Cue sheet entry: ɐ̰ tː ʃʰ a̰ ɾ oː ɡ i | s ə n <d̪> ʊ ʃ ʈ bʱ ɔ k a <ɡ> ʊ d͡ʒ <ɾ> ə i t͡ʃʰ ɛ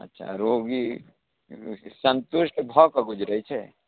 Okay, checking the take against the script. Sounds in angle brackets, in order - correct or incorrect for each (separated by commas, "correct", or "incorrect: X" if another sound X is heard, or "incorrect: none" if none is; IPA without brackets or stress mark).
incorrect: t̪, correct, correct